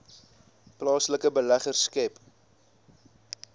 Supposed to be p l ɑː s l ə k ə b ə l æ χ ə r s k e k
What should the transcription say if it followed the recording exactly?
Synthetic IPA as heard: p l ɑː s l ə k ə b ə l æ χ ə r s k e p